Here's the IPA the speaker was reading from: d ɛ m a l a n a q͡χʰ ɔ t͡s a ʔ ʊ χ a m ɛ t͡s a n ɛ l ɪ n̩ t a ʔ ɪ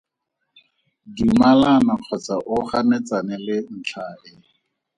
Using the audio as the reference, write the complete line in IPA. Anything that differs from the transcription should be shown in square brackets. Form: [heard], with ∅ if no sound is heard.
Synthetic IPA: d [i] m a l a n a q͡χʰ ɔ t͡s a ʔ ʊ χ a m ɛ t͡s a n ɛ l ɪ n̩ [t͡ɬʰ] a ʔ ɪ